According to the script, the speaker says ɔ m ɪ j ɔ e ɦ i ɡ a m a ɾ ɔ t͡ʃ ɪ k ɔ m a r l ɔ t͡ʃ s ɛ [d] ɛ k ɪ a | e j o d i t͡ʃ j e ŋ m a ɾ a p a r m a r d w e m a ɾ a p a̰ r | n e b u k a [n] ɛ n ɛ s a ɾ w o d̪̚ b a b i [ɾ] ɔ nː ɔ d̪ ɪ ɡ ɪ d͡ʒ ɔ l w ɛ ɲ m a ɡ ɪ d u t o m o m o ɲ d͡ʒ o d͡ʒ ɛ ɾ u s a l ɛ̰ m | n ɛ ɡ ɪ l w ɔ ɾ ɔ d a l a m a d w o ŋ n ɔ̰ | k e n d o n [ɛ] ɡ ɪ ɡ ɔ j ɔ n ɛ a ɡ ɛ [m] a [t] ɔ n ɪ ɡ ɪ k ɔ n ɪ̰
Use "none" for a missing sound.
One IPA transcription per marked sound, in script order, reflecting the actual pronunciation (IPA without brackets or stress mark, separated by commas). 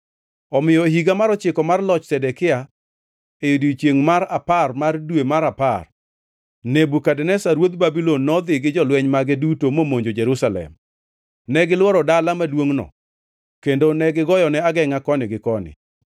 d, d, l, ɛ, ŋ, k